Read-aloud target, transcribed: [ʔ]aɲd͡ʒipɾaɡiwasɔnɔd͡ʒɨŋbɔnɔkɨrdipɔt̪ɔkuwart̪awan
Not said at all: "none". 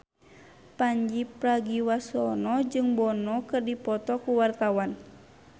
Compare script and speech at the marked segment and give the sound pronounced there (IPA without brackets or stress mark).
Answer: p